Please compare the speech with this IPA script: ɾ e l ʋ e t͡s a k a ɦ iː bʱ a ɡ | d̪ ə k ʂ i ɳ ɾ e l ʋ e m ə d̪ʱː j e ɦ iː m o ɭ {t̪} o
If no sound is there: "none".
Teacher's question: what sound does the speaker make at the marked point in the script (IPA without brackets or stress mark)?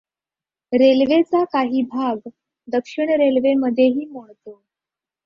t̪